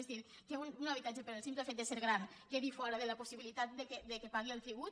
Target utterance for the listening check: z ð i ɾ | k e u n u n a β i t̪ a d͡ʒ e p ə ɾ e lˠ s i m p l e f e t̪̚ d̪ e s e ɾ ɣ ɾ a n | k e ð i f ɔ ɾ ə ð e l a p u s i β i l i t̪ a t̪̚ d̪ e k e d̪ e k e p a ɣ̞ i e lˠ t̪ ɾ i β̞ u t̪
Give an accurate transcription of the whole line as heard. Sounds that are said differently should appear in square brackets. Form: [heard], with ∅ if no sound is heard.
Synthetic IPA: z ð i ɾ | k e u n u n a β i t̪ a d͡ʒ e p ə ɾ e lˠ s i m p l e f e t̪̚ d̪ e s e ɾ ɣ ɾ a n | k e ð i f ɔ ɾ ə ð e l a p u s i β i l i t̪ a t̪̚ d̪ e k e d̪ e k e p a ɣ̞ i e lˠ t̪ ɾ i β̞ u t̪